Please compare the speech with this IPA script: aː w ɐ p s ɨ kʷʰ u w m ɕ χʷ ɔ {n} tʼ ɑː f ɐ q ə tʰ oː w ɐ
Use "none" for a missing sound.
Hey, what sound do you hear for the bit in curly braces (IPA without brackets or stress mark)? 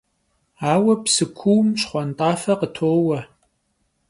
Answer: n